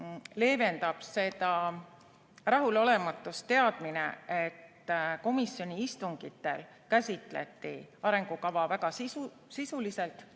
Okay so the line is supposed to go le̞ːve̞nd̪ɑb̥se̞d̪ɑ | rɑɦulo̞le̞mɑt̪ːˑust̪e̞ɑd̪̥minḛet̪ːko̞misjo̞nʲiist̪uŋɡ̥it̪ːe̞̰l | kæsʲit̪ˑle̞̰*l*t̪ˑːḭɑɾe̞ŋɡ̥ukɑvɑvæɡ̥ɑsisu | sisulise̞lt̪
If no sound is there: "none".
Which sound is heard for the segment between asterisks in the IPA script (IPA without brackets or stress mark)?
none